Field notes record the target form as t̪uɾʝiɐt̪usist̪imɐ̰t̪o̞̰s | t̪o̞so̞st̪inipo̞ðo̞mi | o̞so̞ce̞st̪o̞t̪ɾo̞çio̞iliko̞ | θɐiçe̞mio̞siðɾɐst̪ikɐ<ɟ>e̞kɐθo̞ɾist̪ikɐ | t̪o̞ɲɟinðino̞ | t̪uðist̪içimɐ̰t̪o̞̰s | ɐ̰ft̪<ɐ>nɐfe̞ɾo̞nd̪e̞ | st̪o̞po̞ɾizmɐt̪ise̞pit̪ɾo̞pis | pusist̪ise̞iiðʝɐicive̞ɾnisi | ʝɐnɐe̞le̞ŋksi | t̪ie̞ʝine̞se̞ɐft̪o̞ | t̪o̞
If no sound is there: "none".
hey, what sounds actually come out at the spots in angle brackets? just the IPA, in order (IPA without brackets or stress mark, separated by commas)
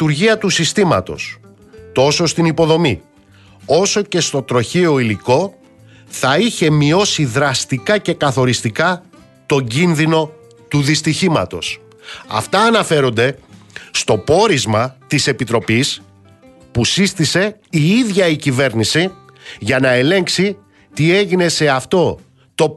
c, ɐː